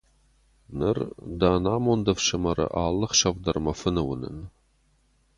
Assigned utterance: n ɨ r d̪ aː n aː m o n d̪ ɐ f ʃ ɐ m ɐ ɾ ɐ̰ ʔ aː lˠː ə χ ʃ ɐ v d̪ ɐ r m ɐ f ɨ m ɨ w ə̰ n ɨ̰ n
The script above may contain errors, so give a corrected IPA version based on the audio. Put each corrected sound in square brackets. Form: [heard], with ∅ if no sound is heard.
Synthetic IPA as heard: n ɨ r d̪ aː n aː m o n d̪ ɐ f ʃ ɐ m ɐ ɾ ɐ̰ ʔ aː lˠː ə χ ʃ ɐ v d̪ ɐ r m ɐ f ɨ [n] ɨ w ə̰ n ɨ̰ n